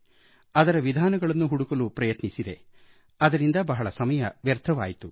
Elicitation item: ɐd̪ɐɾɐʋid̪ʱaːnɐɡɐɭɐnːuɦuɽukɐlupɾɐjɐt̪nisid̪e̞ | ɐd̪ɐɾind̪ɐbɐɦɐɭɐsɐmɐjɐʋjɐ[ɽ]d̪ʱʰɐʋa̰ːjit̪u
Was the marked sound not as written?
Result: yes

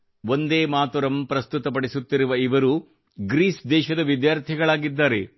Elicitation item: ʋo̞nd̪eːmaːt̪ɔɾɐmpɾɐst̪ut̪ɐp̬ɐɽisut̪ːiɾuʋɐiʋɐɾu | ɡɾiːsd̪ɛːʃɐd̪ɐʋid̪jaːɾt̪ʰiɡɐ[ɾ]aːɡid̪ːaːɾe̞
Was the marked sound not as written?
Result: yes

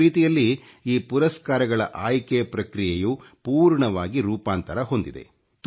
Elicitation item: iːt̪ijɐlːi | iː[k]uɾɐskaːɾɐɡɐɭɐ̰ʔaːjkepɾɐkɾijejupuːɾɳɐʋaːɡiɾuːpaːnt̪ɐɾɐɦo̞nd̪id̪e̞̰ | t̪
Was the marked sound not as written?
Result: yes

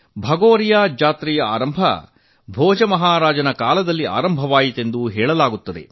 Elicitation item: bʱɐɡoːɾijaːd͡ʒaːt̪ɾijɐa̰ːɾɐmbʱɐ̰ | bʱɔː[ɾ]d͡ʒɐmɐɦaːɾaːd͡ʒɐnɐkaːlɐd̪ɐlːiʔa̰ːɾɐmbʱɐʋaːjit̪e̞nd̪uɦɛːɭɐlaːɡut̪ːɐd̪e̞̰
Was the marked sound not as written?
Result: yes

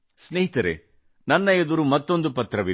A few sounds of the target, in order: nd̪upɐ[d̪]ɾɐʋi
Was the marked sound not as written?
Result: yes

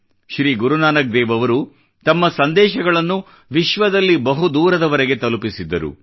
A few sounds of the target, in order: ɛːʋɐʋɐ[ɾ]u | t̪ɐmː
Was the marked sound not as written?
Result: no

